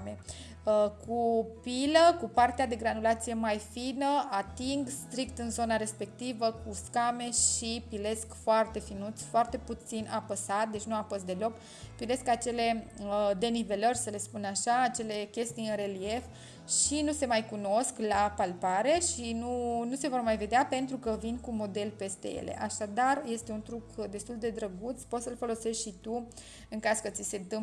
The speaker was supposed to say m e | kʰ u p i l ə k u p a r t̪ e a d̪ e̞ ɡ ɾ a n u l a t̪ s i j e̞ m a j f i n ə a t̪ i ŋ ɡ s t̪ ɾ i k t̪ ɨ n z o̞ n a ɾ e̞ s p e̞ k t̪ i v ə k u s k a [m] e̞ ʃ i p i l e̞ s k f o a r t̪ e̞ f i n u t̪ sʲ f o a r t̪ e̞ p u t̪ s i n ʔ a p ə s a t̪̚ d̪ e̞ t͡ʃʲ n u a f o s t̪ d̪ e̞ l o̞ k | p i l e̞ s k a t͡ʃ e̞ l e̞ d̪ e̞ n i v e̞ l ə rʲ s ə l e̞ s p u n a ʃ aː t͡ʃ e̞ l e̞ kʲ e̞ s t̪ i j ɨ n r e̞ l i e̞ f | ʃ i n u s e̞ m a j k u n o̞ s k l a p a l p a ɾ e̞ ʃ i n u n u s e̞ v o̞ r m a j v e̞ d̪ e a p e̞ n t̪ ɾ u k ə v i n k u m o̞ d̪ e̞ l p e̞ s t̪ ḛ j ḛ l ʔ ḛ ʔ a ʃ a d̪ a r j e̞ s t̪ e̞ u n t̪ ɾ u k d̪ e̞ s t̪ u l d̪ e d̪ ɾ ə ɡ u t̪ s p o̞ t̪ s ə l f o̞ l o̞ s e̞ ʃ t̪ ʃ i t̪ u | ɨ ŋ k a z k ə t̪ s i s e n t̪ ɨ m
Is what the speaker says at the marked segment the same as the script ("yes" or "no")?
yes